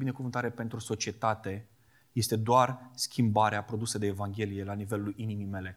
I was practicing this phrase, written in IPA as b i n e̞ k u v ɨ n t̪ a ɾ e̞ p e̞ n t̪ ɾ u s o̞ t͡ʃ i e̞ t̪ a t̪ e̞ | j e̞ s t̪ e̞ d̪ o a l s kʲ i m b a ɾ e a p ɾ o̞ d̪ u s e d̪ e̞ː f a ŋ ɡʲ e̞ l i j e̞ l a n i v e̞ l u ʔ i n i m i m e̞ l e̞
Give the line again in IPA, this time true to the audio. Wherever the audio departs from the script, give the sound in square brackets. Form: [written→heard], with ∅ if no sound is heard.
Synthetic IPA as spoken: b i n e̞ k u v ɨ n t̪ a ɾ e̞ p e̞ n t̪ ɾ u s o̞ t͡ʃ i e̞ t̪ a t̪ e̞ | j e̞ s t̪ e̞ d̪ o a [l→r] s kʲ i m b a ɾ e a p ɾ o̞ d̪ u s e d̪ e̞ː [f→v] a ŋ ɡʲ e̞ l i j e̞ l a n i v e̞ l u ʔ i n i m i m e̞ l e̞